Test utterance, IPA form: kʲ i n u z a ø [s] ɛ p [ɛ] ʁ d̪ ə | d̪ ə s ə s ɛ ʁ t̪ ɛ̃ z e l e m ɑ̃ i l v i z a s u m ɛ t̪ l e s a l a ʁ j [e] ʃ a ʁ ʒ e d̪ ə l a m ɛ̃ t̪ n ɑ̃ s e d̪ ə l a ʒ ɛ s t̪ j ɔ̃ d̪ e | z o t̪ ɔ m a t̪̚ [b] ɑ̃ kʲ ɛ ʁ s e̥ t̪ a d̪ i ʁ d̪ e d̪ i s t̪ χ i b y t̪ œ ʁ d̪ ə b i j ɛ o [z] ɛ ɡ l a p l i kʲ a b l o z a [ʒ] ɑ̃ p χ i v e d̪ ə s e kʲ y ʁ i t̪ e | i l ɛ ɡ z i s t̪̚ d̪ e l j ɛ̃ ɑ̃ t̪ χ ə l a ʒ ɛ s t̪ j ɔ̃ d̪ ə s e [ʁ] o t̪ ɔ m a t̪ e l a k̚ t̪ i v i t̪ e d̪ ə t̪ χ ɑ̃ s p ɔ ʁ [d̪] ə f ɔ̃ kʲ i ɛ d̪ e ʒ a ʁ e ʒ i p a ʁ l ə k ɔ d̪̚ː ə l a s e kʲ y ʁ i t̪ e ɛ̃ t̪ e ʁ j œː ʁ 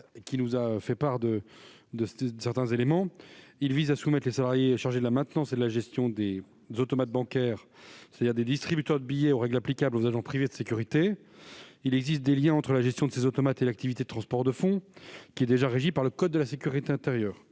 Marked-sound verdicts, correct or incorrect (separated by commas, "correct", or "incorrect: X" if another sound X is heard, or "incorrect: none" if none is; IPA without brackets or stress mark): incorrect: f, incorrect: a, correct, correct, incorrect: ʁ, correct, incorrect: z, correct